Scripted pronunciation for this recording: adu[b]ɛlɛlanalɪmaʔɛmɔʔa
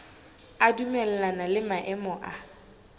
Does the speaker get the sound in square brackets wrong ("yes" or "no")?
yes